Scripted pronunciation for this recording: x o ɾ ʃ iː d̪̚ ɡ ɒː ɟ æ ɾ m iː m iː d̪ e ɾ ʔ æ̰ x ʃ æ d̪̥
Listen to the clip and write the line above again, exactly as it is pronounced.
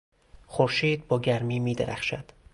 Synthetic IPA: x o ɾ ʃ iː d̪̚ b ɒː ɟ æ ɾ m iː m iː d̪ e ɾ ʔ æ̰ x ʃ æ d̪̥